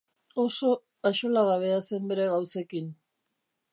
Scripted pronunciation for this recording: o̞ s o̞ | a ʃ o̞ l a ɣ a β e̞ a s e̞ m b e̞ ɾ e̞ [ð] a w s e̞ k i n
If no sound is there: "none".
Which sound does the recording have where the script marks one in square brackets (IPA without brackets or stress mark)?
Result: ɣ